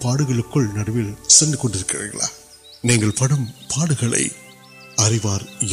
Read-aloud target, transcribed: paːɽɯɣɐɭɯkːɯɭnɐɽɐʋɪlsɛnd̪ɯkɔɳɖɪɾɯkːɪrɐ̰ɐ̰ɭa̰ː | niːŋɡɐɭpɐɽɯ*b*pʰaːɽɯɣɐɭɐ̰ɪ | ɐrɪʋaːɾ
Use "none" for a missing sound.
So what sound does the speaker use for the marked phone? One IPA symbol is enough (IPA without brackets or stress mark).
m